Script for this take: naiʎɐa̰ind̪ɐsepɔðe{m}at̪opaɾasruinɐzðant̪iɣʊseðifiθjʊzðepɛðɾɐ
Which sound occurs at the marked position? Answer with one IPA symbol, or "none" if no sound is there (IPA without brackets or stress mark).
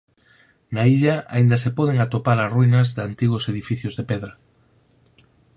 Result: ŋ